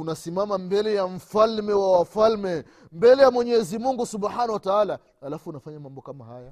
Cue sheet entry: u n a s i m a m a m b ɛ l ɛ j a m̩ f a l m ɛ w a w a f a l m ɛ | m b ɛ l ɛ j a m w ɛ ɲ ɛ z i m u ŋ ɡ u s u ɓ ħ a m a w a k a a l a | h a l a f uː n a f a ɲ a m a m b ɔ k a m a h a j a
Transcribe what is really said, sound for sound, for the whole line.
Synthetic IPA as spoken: u n a s i m a m a m b ɛ l ɛ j a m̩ f a l m ɛ w a w a f a l m ɛ | m b ɛ l ɛ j a m w ɛ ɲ ɛ z i m u ŋ ɡ u s u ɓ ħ a n a w a t a a l a | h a l a f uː n a f a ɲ a m a m b ɔ k a m a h a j a